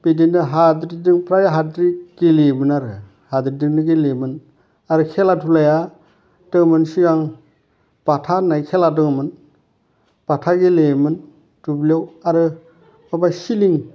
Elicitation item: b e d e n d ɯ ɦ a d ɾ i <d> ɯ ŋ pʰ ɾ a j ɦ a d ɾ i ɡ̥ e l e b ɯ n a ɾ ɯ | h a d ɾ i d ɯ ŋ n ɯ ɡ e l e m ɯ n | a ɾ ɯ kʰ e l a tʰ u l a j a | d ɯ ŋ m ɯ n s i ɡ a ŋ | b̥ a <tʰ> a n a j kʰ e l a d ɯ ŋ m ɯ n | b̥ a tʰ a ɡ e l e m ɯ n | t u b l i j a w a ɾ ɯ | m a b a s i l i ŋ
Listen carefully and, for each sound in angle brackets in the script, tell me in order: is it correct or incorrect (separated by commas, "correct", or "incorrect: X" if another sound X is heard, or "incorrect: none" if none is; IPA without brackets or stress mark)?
correct, correct